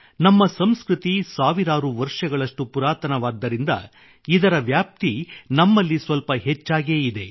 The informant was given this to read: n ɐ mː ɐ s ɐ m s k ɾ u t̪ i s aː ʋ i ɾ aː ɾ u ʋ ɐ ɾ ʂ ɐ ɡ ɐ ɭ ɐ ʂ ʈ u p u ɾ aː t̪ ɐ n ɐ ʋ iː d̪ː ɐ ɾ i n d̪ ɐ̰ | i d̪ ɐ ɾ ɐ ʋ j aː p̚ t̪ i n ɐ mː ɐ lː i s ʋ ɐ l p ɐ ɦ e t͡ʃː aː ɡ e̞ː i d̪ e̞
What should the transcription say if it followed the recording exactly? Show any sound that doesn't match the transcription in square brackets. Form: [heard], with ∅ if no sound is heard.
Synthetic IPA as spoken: n ɐ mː ɐ s ɐ m s k ɾ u t̪ i s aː ʋ i ɾ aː ɾ u ʋ ɐ ɾ ʂ ɐ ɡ ɐ ɭ ɐ ʂ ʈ u p u ɾ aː t̪ ɐ n ɐ ʋ [aː] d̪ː ɐ ɾ i n d̪ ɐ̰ | i d̪ ɐ ɾ ɐ ʋ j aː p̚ t̪ i n ɐ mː ɐ lː i s ʋ ɐ l p ɐ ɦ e t͡ʃː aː ɡ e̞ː i d̪ e̞